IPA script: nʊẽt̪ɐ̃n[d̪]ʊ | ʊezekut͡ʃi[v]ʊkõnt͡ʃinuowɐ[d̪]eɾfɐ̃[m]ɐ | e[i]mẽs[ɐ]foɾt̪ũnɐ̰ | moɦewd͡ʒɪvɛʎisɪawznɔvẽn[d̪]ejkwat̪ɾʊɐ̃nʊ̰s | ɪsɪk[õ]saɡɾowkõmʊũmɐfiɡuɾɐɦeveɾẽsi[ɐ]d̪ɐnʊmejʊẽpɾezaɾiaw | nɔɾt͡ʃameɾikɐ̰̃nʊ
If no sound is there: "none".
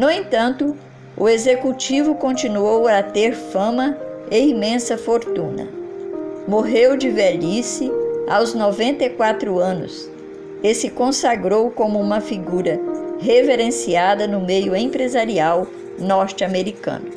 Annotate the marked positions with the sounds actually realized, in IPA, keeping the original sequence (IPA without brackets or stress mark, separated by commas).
t̪, v, t̪, m, i, ɐ, t̪, õ, a